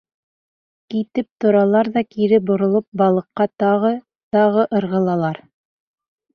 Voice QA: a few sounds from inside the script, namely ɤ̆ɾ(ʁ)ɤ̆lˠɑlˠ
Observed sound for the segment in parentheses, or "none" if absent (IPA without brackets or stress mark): ʁ